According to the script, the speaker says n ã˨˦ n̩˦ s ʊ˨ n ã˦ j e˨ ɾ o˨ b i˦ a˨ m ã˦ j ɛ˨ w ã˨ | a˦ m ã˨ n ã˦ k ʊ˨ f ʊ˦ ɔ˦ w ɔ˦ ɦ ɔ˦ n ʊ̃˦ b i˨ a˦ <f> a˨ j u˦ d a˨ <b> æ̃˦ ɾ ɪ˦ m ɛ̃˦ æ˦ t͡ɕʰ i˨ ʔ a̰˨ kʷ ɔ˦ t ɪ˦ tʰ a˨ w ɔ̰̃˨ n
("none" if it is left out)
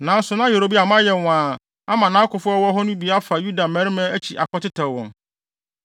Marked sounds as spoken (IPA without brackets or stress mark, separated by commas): f, m